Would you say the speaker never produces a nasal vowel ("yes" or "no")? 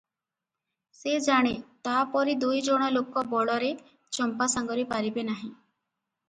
no